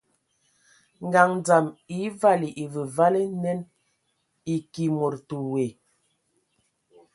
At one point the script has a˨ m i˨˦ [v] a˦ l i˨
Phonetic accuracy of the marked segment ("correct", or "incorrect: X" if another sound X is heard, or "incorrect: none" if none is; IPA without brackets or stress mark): correct